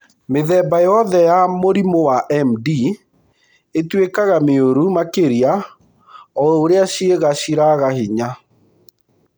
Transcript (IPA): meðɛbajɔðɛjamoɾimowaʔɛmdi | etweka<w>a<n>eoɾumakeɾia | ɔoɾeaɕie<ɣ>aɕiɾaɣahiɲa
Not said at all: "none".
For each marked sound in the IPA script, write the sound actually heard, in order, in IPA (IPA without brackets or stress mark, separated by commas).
ɣ, m, ɣ